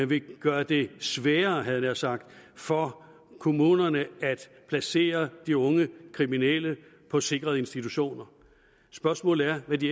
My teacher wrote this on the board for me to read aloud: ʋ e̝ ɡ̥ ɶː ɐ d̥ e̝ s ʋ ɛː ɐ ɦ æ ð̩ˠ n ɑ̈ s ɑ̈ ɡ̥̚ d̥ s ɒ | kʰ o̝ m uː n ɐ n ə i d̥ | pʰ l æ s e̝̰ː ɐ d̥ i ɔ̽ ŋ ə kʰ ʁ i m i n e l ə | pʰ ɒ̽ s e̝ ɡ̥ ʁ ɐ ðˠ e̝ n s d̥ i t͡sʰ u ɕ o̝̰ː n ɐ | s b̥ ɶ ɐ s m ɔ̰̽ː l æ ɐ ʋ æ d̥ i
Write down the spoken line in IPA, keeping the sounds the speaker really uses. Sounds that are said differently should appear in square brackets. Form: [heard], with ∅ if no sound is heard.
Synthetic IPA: ʋ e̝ ɡ̥ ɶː ɐ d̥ e̝ s ʋ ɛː ɐ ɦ æ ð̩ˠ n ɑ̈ s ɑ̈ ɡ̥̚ d̥ [f] ɒ | kʰ o̝ m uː n ɐ n ə [æ] d̥ | pʰ l æ s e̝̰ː ɐ d̥ i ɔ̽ ŋ ə kʰ ʁ i m i n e l ə | pʰ ɒ̽ s e̝ ɡ̥ ʁ ɐ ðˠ e̝ n s d̥ i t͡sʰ u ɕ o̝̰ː n ɐ | s b̥ ɶ ɐ s m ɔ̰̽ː l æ ɐ ʋ æ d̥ i